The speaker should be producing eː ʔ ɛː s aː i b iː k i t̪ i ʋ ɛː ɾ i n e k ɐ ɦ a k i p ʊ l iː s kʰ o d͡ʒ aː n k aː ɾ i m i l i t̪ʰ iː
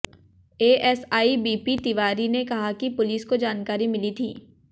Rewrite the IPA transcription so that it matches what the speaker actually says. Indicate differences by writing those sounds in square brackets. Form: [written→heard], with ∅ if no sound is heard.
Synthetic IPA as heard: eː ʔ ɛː s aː i b iː [k→p] i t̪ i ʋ [ɛː→aː] ɾ i n e k ɐ ɦ a k i p ʊ l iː s [kʰ→k] o d͡ʒ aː n k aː ɾ i m [i→ɪ] l i t̪ʰ iː